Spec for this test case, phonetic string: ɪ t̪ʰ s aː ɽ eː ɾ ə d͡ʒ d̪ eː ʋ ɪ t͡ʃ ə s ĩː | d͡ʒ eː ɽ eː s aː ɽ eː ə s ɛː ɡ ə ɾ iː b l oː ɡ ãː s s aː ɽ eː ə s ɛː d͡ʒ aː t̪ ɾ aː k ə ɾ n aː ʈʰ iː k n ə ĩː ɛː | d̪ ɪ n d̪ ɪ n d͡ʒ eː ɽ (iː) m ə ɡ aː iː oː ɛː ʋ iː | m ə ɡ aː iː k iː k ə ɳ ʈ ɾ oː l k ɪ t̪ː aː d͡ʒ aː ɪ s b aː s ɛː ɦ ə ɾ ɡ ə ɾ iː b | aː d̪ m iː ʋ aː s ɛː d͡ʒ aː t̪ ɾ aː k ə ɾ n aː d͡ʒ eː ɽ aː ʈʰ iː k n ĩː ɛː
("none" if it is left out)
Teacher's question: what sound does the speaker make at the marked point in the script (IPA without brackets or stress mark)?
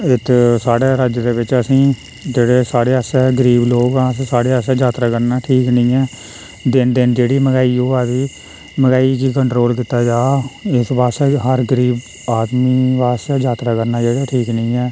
iː